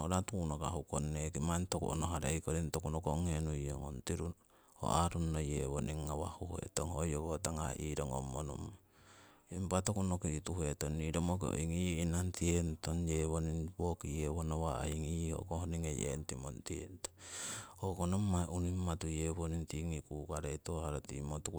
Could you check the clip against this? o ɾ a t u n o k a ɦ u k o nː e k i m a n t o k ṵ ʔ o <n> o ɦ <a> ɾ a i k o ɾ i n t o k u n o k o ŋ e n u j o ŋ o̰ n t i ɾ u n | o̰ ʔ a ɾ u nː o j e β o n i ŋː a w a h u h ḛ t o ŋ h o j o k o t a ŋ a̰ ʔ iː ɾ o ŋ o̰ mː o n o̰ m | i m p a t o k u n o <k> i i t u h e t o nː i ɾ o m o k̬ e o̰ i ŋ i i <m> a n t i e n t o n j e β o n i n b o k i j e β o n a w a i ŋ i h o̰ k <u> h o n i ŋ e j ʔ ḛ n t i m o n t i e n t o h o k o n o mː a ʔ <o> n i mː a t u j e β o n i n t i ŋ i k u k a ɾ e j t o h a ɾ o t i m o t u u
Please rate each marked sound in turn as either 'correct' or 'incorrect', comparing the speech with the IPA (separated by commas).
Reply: correct, correct, correct, incorrect, incorrect, incorrect